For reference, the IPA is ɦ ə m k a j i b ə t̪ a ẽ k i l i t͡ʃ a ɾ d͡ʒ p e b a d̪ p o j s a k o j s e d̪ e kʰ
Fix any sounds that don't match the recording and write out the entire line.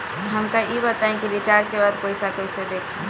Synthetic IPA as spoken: ɦ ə m k a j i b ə t̪ a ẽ k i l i t͡ʃ a ɾ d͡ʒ k e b a d̪ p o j s a k o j s e d̪ e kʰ